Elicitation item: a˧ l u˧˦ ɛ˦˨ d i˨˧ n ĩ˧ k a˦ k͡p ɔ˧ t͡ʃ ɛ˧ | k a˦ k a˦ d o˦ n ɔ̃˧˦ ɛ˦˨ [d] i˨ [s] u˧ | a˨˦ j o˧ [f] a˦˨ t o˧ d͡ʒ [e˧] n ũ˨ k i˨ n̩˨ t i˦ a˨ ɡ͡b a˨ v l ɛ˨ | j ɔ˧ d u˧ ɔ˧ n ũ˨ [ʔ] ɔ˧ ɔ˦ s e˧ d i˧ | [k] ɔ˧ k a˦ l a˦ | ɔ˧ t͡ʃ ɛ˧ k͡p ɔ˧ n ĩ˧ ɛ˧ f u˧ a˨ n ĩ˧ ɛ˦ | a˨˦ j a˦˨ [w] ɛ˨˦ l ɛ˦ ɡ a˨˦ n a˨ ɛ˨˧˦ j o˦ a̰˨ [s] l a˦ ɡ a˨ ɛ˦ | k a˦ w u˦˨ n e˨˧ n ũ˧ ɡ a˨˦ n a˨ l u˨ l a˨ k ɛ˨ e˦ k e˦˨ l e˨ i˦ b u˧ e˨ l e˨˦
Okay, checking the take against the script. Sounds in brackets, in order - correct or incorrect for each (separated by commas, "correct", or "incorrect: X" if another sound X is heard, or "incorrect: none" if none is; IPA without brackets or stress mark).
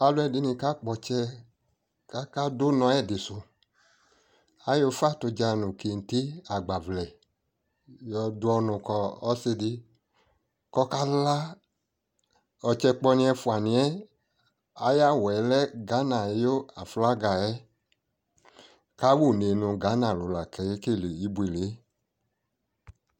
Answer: correct, correct, correct, incorrect: a˧, incorrect: k, correct, correct, incorrect: f